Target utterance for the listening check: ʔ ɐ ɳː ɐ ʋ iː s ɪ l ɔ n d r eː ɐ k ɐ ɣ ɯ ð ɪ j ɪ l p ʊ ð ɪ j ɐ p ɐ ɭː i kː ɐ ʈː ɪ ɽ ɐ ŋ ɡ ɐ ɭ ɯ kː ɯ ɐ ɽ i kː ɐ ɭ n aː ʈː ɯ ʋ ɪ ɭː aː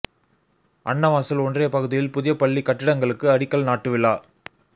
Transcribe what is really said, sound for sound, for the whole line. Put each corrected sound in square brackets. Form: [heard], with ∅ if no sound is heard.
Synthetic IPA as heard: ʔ ɐ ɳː ɐ ʋ [aː] s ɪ l ɔ n d r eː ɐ [p] ɐ ɣ ɯ ð ɪ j ɪ l p ʊ ð ɪ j ɐ p ɐ ɭː i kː ɐ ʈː ɪ ɽ ɐ ŋ ɡ ɐ ɭ ɯ kː ɯ ɐ ɽ [ɪ] kː ɐ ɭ n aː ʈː ɯ ʋ ɪ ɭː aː